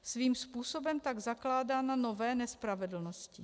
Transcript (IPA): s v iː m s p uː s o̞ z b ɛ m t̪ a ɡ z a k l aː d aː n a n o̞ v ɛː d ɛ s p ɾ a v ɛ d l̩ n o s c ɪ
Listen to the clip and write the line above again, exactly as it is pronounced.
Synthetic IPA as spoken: s v iː m s p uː s o̞ b ɛ m t̪ a ɡ z a k l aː d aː n a n o̞ v ɛː n ɛ s p ɾ a v ɛ d l̩ n o s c ɪ